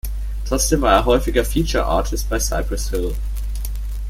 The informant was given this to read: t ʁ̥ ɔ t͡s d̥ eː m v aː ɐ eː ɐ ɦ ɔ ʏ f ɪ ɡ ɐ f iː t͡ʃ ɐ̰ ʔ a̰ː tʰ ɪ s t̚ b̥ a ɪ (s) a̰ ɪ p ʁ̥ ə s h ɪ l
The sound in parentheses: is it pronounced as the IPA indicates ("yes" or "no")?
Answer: yes